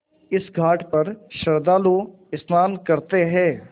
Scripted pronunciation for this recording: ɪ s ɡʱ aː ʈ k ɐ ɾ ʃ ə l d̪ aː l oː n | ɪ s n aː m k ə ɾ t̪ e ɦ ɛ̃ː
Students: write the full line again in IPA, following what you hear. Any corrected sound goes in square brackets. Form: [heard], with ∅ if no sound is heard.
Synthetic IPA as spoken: ɪ s ɡʱ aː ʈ [p] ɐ ɾ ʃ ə [ɾ] d̪ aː l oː [∅] | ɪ s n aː [n] k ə ɾ t̪ e ɦ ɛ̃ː